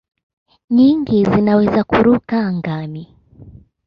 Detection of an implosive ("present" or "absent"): absent